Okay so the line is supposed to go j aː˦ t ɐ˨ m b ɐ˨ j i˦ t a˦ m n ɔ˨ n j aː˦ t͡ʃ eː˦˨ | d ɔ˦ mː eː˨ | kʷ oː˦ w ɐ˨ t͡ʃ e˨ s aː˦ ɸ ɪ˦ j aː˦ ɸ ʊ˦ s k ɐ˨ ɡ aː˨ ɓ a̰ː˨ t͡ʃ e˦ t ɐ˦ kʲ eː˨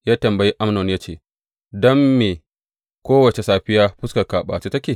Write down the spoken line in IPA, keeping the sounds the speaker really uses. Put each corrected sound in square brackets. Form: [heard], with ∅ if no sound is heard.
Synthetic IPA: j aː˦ t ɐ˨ m b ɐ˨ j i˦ [ʔ] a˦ m n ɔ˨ n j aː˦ t͡ʃ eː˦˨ | d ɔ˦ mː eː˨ | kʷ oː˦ w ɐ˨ t͡ʃ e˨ s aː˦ ɸ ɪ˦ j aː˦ ɸ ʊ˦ s k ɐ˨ [k] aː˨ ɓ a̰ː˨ t͡ʃ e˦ t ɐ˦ kʲ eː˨

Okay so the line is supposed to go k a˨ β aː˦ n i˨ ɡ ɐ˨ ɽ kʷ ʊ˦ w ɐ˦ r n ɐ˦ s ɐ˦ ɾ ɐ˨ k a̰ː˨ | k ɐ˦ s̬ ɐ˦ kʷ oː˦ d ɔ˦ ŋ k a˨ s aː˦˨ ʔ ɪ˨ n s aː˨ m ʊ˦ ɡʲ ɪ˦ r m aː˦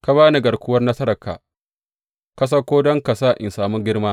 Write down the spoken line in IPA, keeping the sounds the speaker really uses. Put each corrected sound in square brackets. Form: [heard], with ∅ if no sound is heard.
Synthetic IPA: k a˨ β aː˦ n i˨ ɡ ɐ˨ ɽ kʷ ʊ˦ w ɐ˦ r n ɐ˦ s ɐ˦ ɾ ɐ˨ k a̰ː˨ | k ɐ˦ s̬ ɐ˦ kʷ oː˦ d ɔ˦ ŋ k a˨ s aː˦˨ ʔ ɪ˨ n s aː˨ m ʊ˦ ɡʲ ɪ˦ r m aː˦

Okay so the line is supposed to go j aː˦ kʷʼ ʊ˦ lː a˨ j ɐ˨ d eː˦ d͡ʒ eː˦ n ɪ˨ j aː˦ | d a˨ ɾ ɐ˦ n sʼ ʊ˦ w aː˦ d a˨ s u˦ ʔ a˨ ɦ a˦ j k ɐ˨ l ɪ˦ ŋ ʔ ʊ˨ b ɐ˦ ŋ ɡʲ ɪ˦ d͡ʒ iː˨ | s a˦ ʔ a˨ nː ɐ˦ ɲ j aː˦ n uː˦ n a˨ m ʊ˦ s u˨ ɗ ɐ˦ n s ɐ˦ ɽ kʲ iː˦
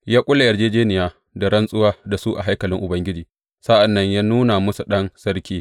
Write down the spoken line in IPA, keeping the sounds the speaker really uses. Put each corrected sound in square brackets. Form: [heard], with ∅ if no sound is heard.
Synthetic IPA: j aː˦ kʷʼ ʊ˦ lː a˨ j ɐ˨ [d͡ʒ] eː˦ d͡ʒ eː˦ n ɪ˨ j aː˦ | d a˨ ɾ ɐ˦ n sʼ ʊ˦ w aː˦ d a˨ s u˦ ʔ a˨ ɦ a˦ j k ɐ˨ l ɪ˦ ŋ ʔ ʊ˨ b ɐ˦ ŋ ɡʲ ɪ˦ d͡ʒ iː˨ | s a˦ ʔ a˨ nː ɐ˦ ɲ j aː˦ n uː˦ n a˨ m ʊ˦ s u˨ ɗ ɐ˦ n s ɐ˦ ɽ kʲ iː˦

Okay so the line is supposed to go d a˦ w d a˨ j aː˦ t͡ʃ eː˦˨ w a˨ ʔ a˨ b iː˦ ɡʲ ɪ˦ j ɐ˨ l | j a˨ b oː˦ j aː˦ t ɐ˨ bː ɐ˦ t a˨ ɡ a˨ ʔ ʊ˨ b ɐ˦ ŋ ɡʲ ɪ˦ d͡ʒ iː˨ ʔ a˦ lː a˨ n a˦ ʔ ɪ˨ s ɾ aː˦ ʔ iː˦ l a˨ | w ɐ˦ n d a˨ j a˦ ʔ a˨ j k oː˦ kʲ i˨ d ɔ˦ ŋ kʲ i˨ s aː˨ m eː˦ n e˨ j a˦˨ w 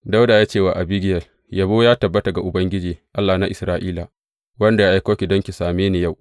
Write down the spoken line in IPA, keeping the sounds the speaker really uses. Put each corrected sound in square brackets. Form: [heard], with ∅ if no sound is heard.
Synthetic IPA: d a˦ w d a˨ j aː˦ t͡ʃ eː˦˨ w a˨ ʔ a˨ b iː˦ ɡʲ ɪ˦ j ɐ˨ l | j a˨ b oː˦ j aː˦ t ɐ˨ bː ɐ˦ t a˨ ɡ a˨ ʔ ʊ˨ b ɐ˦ ŋ ɡʲ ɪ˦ d͡ʒ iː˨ ʔ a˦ lː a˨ n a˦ ʔ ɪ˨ s ɾ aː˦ ʔ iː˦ l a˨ | w ɐ˦ n d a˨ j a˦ ʔ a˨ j k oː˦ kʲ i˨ d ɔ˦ ŋ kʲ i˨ s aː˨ m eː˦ n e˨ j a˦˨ w

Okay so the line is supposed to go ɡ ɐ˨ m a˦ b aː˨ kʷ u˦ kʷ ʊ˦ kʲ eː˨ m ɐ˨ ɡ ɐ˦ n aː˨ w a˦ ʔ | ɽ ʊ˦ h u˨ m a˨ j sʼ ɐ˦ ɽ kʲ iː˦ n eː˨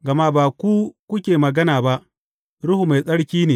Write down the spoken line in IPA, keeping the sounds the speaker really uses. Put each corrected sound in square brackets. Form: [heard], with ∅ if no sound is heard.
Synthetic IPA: ɡ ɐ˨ m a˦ b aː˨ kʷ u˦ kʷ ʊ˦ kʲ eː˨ m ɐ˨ ɡ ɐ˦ n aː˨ [b] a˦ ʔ | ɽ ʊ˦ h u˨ m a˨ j sʼ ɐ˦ ɽ kʲ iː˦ n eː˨

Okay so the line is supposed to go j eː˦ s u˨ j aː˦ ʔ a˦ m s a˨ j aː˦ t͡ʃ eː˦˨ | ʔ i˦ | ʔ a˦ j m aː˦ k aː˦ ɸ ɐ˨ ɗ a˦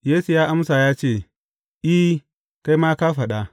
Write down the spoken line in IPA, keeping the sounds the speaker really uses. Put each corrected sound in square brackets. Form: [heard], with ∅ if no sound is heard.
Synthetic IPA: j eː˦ s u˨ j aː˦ ʔ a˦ m s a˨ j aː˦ t͡ʃ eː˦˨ | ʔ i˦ | [k] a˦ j m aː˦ k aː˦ ɸ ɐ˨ ɗ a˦

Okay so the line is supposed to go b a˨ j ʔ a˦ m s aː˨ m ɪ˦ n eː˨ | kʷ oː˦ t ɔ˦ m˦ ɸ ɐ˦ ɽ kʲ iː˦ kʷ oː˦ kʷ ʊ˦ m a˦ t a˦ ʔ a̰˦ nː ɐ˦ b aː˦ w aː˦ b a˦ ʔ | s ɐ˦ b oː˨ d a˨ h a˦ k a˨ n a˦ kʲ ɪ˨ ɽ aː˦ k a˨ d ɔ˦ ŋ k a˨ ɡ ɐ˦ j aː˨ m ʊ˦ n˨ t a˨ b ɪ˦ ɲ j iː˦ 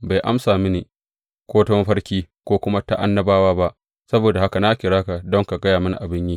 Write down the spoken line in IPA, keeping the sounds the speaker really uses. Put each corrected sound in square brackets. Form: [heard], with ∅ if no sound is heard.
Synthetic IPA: b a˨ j ʔ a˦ m s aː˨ m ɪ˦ n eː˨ | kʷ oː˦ t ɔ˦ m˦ ɸ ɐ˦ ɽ kʲ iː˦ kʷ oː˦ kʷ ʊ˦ m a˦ t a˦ ʔ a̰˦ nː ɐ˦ b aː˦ w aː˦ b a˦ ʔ | s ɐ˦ b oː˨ d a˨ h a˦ k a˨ n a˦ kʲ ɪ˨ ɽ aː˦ k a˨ d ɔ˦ ŋ k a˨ ɡ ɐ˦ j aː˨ m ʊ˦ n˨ [ʔ] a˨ b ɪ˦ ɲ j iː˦

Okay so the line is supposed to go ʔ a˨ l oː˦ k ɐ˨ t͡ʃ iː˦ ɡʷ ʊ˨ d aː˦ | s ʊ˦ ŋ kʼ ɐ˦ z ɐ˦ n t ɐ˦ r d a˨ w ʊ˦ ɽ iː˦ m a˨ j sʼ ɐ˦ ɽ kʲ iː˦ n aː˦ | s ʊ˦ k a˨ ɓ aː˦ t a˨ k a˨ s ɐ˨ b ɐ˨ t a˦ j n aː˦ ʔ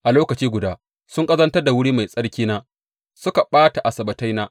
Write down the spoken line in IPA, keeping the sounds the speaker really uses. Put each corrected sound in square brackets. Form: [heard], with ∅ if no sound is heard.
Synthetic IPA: ʔ a˨ l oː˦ k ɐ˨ t͡ʃ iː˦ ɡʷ ʊ˨ d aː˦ | s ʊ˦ ŋ kʼ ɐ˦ z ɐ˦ n t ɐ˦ r d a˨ w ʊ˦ ɽ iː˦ m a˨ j sʼ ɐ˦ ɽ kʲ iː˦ n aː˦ | s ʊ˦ k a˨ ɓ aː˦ t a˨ [ʔ] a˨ s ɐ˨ b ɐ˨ t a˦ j n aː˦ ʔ

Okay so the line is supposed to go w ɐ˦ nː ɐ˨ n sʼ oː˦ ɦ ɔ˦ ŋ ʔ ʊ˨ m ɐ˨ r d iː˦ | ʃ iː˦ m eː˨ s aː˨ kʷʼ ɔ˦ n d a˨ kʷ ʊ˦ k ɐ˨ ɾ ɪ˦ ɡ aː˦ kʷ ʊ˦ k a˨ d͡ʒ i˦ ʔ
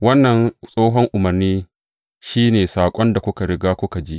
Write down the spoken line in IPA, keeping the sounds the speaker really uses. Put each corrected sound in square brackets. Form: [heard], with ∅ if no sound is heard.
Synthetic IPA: w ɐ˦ nː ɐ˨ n sʼ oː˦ ɦ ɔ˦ ŋ ʔ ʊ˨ m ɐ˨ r [n] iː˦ | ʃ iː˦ [n] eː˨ s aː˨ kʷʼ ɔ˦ n d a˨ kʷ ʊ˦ k [a˨] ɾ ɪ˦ ɡ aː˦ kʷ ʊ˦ k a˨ d͡ʒ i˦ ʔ

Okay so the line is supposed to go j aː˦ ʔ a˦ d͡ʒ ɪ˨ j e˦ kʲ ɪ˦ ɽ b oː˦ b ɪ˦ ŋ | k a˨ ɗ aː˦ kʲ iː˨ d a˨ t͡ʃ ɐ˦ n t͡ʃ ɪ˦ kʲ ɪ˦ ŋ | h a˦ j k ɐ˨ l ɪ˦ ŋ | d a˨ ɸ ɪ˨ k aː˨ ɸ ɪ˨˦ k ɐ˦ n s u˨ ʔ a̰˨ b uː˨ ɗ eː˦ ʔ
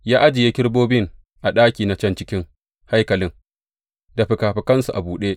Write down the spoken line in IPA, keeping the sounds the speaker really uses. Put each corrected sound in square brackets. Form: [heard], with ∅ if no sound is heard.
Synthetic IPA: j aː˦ ʔ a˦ d͡ʒ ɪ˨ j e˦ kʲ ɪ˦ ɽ b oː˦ b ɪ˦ ŋ | [ʔ] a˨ ɗ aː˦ kʲ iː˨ [n] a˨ t͡ʃ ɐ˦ n t͡ʃ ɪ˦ kʲ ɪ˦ ŋ | h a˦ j k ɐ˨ l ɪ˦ ŋ | d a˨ ɸ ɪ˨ k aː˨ ɸ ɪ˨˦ k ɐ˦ n s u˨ ʔ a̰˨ b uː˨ ɗ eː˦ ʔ

